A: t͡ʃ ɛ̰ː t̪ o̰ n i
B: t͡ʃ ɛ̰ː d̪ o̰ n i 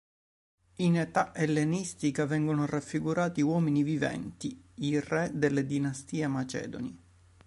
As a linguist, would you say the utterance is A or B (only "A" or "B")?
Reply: B